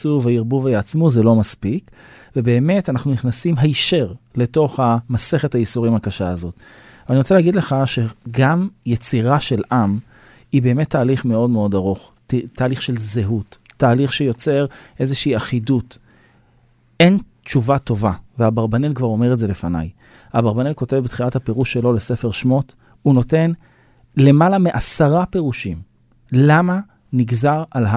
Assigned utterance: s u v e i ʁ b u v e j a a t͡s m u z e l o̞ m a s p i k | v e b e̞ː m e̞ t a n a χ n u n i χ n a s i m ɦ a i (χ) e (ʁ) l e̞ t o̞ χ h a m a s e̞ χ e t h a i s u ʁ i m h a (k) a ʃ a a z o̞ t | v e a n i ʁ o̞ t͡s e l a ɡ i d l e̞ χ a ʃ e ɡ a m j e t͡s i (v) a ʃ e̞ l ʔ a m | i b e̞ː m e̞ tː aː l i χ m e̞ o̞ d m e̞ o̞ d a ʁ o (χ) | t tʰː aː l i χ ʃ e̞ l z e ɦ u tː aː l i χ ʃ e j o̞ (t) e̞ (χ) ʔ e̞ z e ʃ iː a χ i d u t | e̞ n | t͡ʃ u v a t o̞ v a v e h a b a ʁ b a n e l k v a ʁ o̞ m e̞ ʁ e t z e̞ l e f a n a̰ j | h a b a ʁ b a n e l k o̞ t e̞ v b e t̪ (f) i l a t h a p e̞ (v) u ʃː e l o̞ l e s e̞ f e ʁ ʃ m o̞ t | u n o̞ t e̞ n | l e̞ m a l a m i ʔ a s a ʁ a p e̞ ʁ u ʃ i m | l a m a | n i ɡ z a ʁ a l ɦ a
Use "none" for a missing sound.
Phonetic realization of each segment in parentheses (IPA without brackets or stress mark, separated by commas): ʃ, ʁ, k, ʁ, χ, t͡s, ʁ, χ, ʁ